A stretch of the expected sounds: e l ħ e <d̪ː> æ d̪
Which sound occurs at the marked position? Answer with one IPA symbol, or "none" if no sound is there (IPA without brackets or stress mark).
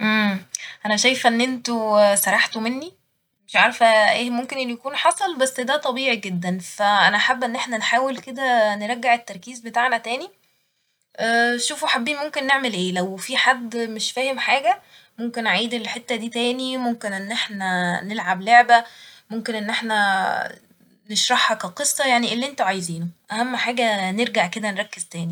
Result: t̪ː